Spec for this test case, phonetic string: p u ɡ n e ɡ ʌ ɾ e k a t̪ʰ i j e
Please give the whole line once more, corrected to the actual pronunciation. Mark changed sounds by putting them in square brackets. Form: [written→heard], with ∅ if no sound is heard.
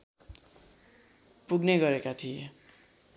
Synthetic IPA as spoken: p u ɡ n e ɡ ʌ ɾ e k a t̪ʰ i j e